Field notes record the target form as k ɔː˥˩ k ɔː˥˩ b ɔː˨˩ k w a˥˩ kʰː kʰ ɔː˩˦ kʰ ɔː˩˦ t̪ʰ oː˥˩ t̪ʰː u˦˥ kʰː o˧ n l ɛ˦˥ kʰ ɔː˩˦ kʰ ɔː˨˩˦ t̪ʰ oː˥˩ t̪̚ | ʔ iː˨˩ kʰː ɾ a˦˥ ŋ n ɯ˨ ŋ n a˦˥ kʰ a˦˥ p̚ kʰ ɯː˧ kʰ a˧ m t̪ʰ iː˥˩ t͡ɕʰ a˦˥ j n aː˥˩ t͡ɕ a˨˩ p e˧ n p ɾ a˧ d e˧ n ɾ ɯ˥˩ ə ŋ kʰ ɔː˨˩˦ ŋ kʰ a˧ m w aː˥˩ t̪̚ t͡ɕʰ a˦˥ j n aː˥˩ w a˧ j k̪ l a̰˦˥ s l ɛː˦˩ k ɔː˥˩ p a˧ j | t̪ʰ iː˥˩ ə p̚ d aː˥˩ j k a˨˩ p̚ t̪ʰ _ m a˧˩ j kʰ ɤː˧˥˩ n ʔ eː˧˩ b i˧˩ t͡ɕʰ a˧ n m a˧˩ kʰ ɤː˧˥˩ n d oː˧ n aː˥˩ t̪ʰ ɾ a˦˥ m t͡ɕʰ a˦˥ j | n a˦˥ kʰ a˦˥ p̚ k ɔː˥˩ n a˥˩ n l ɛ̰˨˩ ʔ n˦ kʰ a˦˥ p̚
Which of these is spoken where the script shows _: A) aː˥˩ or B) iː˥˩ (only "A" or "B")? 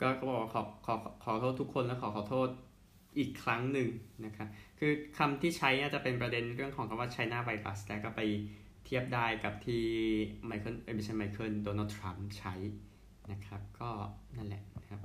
B